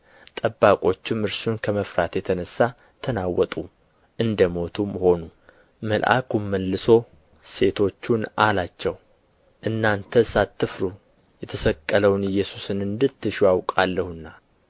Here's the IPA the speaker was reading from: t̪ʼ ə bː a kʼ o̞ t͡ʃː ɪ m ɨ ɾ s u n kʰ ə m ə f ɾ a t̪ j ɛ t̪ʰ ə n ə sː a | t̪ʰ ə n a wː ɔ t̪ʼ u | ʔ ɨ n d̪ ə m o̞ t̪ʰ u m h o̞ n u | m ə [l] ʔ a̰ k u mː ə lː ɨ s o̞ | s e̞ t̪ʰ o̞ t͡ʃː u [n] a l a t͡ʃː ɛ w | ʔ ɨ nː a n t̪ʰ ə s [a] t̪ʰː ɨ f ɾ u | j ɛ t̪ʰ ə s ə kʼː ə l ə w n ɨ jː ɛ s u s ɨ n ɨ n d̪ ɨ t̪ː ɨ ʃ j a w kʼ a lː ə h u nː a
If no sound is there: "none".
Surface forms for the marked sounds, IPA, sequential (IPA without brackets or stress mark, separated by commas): l, n, a